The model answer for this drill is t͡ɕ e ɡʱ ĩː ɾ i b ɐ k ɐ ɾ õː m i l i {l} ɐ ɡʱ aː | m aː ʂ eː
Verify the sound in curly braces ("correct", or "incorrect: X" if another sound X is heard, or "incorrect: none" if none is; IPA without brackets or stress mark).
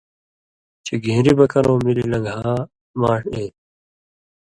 correct